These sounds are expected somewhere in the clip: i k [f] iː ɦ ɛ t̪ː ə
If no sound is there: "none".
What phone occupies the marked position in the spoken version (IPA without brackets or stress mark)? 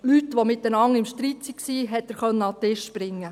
s